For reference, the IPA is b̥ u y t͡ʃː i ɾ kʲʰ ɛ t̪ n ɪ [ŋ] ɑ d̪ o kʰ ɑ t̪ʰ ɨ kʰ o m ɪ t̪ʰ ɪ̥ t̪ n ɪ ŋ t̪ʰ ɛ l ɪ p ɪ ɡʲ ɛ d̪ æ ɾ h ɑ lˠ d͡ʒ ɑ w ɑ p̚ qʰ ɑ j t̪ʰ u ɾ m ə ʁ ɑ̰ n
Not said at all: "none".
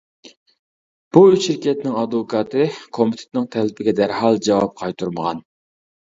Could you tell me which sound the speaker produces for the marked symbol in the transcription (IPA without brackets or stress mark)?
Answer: ŋ